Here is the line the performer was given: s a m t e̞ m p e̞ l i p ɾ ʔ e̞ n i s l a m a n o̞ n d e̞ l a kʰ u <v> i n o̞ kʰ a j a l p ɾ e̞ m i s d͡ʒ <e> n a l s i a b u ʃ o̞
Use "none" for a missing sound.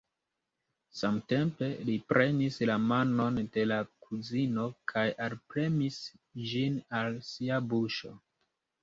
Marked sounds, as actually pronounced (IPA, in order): z, i

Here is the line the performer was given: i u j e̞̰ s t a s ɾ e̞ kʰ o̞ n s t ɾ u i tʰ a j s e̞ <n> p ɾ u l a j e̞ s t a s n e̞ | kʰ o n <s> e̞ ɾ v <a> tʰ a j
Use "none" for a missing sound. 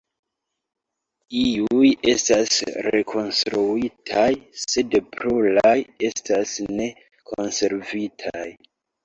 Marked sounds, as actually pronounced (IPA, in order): d, s, i

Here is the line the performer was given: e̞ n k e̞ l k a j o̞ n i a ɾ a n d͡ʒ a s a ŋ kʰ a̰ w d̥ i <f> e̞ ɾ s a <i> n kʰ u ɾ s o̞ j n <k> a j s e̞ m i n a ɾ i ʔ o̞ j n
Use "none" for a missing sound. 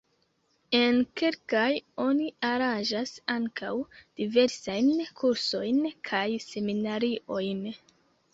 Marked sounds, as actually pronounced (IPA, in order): v, j, kʰ

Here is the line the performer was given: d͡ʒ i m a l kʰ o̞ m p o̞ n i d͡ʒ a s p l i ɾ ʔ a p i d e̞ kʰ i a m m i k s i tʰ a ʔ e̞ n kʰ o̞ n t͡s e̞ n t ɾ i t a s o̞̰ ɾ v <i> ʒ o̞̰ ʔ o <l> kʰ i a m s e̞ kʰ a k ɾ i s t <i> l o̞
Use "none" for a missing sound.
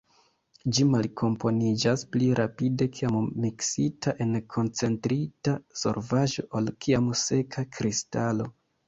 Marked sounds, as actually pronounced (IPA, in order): a, l, a

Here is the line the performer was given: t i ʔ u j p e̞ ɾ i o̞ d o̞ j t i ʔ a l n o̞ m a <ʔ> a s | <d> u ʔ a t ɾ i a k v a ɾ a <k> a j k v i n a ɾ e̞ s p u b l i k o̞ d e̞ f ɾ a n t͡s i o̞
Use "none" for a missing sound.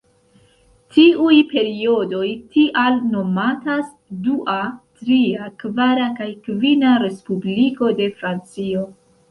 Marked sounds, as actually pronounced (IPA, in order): t, d, k

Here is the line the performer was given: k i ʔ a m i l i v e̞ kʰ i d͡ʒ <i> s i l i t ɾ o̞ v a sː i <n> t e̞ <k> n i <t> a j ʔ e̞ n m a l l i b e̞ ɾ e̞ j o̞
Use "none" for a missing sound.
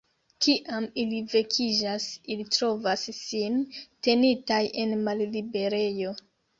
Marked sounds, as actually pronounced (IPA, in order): a, n, none, t

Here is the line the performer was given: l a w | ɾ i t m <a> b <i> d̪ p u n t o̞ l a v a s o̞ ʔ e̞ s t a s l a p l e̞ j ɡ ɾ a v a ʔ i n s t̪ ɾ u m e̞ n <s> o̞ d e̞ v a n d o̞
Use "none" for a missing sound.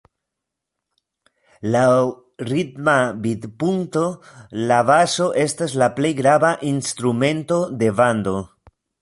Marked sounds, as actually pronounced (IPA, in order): a, i, t

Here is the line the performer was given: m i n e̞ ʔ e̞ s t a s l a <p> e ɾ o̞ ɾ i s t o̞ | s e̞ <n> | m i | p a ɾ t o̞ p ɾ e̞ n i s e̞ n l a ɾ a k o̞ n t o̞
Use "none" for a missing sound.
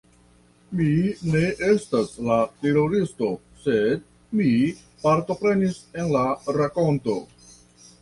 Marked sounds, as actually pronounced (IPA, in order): t, d

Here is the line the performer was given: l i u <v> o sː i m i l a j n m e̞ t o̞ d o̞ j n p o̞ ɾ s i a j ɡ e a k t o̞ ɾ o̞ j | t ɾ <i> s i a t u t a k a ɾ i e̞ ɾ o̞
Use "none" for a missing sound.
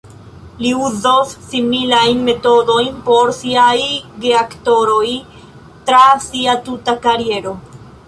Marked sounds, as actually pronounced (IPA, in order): z, a

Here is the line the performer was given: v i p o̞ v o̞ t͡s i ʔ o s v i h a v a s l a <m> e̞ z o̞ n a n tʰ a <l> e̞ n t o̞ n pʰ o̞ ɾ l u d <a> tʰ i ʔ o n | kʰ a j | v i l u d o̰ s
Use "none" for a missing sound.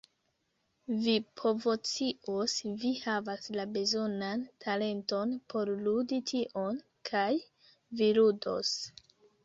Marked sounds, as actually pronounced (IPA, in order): b, l, i

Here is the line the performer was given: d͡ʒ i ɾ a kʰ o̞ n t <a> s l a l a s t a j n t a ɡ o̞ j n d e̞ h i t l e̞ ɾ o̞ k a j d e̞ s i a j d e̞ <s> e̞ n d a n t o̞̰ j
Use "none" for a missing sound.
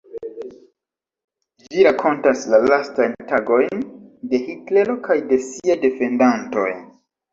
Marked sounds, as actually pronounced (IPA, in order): a, f

